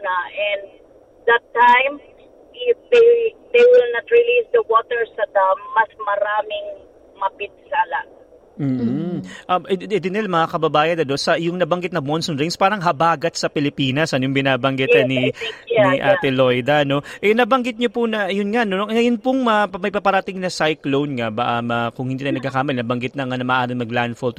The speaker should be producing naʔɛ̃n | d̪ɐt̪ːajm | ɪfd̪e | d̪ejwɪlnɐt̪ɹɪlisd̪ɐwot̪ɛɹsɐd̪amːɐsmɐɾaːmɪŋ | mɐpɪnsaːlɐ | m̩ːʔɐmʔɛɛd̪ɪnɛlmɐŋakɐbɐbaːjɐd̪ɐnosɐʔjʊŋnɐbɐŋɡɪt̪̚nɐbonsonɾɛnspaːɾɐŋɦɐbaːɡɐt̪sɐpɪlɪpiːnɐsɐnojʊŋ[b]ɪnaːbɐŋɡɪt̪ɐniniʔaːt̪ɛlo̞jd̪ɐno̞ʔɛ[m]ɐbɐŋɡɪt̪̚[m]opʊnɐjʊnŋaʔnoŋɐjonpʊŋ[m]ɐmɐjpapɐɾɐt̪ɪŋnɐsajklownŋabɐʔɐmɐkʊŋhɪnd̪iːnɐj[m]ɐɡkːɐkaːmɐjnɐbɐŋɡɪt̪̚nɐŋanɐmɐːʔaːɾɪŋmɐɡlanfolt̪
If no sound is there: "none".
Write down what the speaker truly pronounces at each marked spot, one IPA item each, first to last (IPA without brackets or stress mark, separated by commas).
b, n, ɲ, m, n